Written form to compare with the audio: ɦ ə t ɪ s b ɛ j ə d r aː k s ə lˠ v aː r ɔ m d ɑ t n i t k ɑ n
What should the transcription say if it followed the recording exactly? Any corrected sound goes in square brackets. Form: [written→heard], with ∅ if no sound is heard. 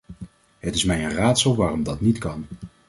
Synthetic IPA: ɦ ə t ɪ s [b→m] ɛ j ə [d→n] r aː [k→t] s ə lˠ [v→ʋ] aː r ɔ m d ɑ t n i t k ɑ n